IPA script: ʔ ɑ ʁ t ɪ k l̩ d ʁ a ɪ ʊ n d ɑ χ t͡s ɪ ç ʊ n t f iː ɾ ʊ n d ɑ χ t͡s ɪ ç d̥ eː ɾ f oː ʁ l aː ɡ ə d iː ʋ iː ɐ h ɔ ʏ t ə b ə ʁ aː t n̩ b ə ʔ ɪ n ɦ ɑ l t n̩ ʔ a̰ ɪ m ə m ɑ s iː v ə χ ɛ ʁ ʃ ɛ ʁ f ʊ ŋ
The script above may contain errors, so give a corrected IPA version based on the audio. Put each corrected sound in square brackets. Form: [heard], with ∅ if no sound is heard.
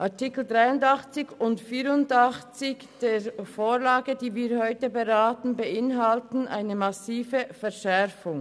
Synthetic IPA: ʔ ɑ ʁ t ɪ k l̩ d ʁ a ɪ ʊ n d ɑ χ t͡s ɪ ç ʊ n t f iː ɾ ʊ n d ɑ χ t͡s ɪ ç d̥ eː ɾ f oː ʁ l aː ɡ ə d iː [v] iː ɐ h ɔ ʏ t ə b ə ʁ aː t n̩ b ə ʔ ɪ n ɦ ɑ l t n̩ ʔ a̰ ɪ [n] ə m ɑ s iː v ə [f] ɛ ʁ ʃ ɛ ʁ f ʊ ŋ